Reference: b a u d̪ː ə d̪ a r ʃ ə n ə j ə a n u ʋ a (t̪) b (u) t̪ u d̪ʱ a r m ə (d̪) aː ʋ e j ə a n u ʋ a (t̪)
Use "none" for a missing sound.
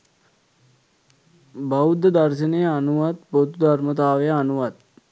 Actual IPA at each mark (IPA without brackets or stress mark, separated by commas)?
t̪, o, t̪, t̪